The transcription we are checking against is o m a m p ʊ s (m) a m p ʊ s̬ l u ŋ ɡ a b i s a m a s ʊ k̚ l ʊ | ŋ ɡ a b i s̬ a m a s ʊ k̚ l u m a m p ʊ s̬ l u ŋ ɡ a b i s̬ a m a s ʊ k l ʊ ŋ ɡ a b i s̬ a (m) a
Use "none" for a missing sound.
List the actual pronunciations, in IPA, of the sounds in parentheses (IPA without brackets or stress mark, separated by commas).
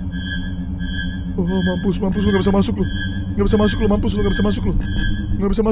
m, m